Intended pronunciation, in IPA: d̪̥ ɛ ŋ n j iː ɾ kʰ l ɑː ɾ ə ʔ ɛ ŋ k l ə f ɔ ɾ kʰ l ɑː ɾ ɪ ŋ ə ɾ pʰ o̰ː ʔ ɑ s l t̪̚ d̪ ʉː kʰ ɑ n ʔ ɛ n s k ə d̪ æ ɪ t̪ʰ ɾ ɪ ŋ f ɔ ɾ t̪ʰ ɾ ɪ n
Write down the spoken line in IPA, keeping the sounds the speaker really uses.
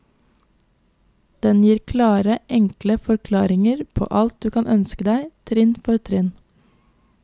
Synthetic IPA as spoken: d̪̥ ɛ n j iː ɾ kʰ l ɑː ɾ ə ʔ ɛ ŋ k l ə f ɔ ɾ kʰ l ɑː ɾ ɪ ŋ ə ɾ pʰ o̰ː ʔ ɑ l t̪̚ d̪ ʉː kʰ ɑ n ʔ œ n s k ə d̪ æ ɪ t̪ʰ ɾ ɪ n f ɔ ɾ t̪ʰ ɾ ɪ n